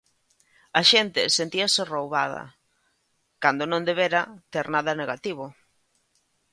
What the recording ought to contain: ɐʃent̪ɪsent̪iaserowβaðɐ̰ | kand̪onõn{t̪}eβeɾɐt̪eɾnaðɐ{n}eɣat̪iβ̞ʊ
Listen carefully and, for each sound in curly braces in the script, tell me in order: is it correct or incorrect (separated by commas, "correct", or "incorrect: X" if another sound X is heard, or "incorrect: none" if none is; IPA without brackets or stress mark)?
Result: incorrect: d̪, correct